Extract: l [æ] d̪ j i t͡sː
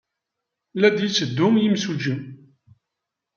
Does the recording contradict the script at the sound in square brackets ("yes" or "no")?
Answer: no